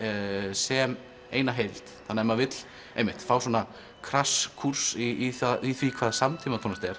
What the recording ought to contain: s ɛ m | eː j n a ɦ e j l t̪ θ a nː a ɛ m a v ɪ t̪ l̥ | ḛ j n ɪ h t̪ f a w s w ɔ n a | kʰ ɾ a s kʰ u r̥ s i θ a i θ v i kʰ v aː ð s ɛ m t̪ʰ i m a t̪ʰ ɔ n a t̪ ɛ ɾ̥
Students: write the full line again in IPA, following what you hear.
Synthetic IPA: s ɛ m | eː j n a ɦ e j l t̪ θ a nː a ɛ m a v ɪ t̪ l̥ | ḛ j m ɪ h t̪ f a w s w ɔ n a | kʰ ɾ a s kʰ u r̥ s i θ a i θ v i kʰ v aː ð s a m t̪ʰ i m a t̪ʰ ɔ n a t̪ ɛ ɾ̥